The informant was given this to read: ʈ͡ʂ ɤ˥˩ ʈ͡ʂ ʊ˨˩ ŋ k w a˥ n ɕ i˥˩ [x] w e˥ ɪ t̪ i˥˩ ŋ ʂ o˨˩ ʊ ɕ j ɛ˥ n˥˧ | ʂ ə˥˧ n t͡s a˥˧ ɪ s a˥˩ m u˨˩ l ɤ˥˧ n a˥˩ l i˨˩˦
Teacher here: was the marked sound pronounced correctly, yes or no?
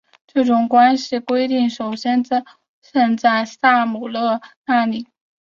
no